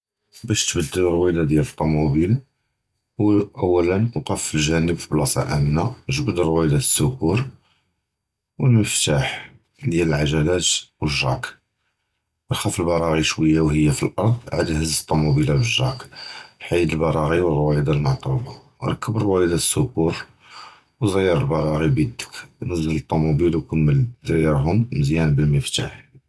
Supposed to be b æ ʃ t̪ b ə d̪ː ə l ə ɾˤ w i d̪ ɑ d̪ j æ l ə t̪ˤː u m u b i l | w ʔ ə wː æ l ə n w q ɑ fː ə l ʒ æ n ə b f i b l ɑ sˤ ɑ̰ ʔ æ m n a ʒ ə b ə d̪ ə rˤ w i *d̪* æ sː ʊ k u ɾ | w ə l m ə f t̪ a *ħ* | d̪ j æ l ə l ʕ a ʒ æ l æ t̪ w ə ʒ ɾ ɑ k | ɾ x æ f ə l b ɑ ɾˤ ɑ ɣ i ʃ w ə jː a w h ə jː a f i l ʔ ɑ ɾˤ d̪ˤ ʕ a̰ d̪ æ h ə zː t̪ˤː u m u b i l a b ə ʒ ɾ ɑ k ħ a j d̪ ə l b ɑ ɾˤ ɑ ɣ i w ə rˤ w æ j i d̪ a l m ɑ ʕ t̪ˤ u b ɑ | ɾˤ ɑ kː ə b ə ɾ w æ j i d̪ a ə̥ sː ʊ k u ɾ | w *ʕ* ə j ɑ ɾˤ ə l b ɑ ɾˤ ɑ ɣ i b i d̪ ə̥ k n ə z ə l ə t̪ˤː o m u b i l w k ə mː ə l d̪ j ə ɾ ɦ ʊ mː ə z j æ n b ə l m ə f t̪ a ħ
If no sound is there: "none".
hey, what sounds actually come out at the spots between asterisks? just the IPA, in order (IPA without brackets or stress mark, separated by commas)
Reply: d̪, ħ, z